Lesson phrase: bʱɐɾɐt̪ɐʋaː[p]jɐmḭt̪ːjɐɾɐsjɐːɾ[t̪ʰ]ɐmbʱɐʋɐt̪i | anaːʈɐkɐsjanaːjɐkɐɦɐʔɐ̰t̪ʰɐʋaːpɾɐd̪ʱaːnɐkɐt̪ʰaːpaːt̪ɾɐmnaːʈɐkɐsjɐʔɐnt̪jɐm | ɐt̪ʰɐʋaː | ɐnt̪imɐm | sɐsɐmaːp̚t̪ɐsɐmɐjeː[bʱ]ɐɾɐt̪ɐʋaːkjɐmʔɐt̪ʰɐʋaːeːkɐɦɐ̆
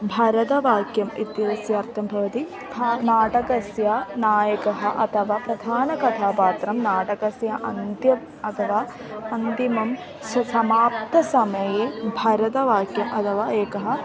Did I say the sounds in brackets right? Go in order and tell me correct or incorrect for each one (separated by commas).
incorrect, correct, correct